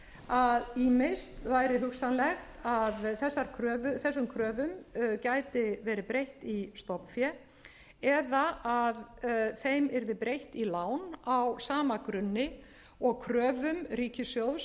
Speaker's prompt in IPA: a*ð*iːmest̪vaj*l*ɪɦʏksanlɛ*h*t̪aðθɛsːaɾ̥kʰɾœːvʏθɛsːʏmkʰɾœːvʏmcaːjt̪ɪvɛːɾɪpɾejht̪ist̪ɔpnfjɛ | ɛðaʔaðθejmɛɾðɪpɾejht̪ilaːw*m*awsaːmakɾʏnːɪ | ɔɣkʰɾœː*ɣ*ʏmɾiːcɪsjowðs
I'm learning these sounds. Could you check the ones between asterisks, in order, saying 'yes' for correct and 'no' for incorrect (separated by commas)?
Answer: yes, no, no, no, no